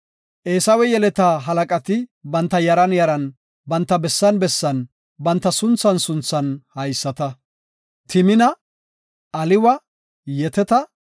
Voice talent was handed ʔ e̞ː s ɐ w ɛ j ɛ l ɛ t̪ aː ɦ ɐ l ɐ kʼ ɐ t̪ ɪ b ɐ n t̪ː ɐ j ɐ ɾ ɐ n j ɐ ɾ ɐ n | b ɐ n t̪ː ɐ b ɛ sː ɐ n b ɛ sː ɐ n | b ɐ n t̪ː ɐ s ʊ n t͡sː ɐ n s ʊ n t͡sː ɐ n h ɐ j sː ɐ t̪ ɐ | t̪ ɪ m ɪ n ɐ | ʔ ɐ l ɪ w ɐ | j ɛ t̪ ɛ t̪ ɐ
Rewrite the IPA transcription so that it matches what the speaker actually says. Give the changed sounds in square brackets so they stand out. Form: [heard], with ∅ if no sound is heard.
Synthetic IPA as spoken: ʔ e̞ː s ɐ w ɛ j ɛ l ɛ t̪ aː ɦ ɐ l ɐ kʼ ɐ t̪ ɪ b ɐ n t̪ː ɐ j ɐ ɾ ɐ n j ɐ ɾ ɐ n | b ɐ n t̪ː ɐ b ɛ sː ɐ n b ɛ sː ɐ n | b ɐ n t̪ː ɐ s ʊ n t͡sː ɐ n s ʊ n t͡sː ɐ n h ɐ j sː ɐ t̪ ɐ | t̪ ɪ m ɪ n ɐ | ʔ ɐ l ɪ w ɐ | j ɛ t̪ ɛ t̪ ɐ